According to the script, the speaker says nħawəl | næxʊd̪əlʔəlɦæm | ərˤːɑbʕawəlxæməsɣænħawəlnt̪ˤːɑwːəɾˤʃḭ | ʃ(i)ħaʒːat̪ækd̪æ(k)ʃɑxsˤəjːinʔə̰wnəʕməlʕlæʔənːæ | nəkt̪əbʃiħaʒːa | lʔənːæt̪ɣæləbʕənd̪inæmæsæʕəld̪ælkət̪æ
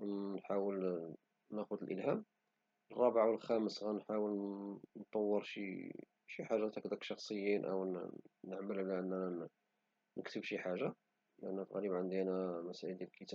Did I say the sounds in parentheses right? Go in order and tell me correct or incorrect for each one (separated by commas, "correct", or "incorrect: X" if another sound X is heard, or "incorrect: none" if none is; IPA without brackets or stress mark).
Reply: correct, correct